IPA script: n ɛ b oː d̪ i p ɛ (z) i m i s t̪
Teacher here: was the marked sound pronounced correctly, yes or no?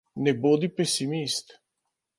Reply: no